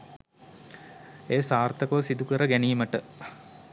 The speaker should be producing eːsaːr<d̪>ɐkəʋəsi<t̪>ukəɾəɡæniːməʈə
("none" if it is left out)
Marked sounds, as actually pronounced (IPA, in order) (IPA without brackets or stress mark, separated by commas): t̪, d̪